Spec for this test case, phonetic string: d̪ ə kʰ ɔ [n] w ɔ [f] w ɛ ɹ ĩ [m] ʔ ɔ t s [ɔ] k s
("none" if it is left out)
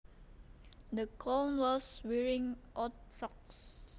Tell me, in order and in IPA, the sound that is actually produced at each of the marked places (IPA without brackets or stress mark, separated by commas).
n, s, ŋ, ɔ